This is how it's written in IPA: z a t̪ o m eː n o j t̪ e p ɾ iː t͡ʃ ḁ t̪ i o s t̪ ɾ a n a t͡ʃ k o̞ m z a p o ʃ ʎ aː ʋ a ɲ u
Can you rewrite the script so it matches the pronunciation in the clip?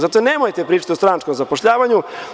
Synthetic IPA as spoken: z a t̪ o n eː m o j t̪ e p ɾ iː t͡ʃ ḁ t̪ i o s t̪ ɾ a n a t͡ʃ k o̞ m z a p o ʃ ʎ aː ʋ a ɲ u